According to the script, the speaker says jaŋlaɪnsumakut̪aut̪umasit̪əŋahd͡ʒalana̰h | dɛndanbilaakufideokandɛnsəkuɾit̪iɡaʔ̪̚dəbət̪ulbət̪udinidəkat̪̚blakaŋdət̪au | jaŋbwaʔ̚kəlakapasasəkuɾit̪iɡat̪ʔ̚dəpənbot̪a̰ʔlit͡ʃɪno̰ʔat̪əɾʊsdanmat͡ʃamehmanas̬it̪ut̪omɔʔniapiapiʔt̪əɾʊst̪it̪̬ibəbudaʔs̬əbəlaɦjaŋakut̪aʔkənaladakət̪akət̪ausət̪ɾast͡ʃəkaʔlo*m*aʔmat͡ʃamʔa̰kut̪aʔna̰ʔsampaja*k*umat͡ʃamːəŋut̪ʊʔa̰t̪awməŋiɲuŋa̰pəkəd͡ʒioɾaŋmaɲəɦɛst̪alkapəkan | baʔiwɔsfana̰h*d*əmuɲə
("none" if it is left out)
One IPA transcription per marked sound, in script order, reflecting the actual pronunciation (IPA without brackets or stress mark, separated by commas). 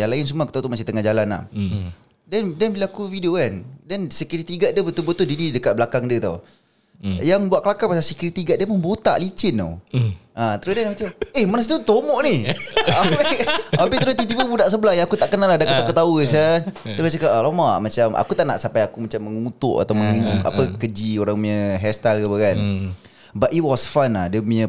m, k, d